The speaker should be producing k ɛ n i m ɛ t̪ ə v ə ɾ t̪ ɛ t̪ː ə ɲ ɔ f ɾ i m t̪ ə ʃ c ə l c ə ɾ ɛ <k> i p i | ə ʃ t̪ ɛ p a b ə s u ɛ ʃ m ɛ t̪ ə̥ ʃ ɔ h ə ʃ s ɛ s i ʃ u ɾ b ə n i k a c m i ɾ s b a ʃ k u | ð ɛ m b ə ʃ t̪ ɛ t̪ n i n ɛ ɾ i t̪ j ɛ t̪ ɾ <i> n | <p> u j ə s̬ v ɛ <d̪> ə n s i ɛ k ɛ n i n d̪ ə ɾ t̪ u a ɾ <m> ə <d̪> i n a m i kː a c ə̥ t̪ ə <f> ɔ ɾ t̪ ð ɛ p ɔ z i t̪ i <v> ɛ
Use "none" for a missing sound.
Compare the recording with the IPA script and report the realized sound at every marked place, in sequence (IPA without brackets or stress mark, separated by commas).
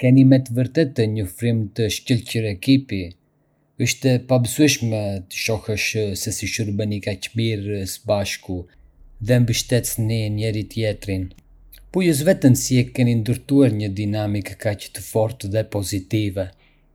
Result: k, i, p, t̪, ɲ, d̪, f, v